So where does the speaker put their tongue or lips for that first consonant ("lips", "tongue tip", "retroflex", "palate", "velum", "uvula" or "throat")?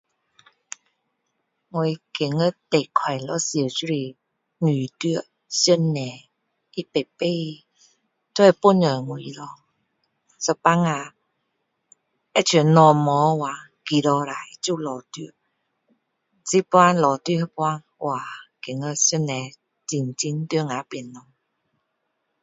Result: velum